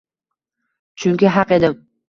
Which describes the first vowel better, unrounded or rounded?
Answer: rounded